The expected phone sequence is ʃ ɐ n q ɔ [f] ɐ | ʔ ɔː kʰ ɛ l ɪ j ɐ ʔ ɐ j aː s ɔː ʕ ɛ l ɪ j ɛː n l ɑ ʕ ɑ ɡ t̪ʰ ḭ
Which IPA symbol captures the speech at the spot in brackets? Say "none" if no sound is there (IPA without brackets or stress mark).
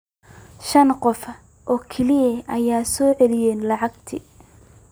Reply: f